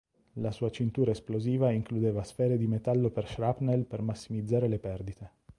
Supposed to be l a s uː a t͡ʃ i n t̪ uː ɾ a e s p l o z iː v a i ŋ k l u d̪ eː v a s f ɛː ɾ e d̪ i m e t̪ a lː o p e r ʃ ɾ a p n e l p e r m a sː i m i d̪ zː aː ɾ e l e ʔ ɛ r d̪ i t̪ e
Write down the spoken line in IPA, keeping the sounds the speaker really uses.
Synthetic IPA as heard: l a s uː a t͡ʃ i n t̪ uː ɾ a e s p l o z iː v a i ŋ k l u d̪ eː v a s f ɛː ɾ e d̪ i m e t̪ a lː o p e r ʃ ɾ a p n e l p e r m a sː i m i d̪ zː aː ɾ e l e p ɛ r d̪ i t̪ e